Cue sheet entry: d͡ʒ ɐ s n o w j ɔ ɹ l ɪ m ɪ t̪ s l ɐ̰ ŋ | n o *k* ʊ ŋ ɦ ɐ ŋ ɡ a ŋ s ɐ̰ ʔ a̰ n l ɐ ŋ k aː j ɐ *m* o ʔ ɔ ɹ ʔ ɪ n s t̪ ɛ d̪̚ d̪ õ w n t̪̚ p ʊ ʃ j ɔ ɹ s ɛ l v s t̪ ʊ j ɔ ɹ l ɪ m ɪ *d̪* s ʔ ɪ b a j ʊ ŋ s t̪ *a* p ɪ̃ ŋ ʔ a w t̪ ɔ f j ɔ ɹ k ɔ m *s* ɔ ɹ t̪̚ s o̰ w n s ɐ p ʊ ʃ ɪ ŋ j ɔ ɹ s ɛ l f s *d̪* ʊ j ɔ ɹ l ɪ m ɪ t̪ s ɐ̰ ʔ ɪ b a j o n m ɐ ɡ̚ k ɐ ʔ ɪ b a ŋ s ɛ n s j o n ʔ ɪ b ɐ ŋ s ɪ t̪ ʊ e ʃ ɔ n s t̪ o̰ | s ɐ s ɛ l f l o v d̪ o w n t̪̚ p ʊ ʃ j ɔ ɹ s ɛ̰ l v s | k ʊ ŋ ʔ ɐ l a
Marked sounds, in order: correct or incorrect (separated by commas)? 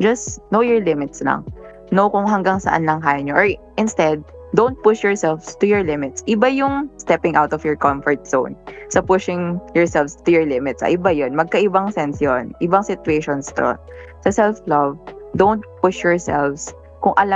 correct, incorrect, incorrect, incorrect, incorrect, incorrect